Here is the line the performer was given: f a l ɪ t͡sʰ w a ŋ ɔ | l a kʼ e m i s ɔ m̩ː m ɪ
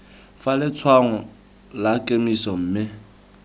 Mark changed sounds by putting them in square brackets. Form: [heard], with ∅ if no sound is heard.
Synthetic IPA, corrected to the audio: f a l ɪ t͡sʰ w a ŋ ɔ | l a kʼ e m i s ɔ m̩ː m ɪ